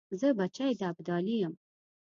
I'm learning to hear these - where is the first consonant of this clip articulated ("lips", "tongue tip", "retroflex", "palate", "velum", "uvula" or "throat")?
tongue tip